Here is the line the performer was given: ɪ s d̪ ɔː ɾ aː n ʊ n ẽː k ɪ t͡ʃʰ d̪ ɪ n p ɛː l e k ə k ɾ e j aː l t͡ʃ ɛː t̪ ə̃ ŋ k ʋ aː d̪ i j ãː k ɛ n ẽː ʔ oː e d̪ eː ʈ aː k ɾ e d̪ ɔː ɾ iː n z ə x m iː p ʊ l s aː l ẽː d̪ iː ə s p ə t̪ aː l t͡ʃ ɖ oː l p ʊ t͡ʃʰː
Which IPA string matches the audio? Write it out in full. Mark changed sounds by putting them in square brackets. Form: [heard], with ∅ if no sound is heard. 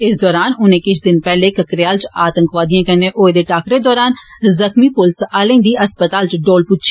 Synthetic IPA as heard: ɪ s d̪ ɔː ɾ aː n ʊ n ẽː k ɪ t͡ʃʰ d̪ ɪ n p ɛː l e k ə k ɾ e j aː l t͡ʃ [aː] t̪ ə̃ ŋ k ʋ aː d̪ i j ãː k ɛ n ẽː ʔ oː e d̪ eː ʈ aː k ɾ e d̪ ɔː ɾ [aː] n z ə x m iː p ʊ l s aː l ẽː d̪ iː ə s p ə t̪ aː l t͡ʃ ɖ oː l p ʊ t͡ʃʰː